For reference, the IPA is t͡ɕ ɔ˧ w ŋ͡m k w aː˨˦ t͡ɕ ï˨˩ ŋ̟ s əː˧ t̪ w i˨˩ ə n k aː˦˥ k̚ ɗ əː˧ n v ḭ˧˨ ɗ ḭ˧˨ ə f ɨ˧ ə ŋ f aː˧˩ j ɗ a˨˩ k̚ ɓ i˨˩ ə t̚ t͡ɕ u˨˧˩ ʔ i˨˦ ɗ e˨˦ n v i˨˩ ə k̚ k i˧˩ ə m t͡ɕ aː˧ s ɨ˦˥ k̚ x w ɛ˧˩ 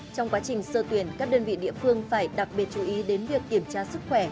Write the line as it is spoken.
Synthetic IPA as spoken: t͡ɕ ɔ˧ w ŋ͡m k w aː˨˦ t͡ɕ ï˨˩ ŋ̟ s əː˧ t̪ w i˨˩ ə n k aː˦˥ k̚ ɗ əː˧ n v ḭ˧˨ ɗ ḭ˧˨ ə f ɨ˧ ə ŋ f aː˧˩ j ɗ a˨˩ k̚ ɓ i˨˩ ə t̚ t͡ɕ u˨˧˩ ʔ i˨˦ ɗ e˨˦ n v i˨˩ ə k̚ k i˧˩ ə m t͡ɕ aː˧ s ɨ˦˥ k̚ x w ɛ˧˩